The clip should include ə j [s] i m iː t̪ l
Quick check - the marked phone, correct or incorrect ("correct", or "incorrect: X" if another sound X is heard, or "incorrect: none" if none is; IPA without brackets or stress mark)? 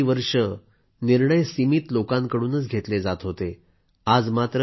correct